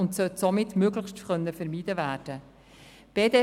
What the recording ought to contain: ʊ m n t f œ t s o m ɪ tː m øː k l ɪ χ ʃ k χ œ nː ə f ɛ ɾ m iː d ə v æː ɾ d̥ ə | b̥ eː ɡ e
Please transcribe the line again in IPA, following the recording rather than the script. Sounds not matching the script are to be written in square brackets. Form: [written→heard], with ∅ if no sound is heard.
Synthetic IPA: ʊ [m→∅] n t [f→s] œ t s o m ɪ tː m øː [k→ɡ] l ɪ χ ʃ [k→t] χ œ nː ə f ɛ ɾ m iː d ə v æː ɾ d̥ ə | b̥ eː [ɡ→d] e